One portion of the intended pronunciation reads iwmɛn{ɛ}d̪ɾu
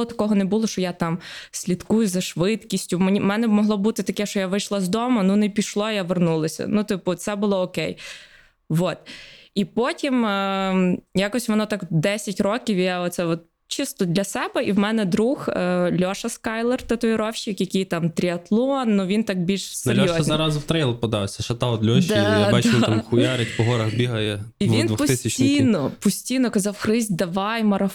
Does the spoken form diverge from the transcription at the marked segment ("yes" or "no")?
no